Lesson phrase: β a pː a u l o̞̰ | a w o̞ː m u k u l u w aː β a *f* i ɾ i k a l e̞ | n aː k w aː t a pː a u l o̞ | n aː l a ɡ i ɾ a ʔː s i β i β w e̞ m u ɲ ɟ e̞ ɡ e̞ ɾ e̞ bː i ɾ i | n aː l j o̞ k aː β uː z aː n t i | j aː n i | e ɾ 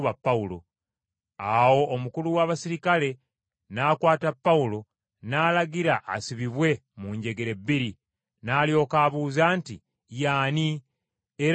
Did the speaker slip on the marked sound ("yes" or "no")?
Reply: yes